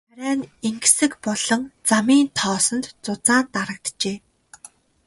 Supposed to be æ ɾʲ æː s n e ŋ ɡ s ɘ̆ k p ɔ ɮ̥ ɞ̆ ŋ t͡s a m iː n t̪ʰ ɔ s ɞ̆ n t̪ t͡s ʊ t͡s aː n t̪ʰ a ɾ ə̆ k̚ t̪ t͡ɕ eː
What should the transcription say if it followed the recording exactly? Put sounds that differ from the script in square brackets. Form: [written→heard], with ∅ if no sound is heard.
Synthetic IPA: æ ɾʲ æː [s→∅] n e ŋ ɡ s ɘ̆ k p ɔ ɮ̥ ɞ̆ ŋ t͡s a m iː n t̪ʰ [ɔ→ɔː] s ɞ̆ n t̪ t͡s ʊ t͡s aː n [t̪ʰ→t̪] a ɾ ə̆ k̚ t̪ t͡ɕ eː